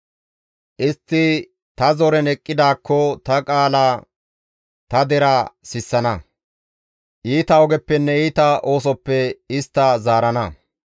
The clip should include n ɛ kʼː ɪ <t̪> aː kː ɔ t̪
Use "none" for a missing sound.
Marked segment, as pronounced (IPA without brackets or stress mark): d̪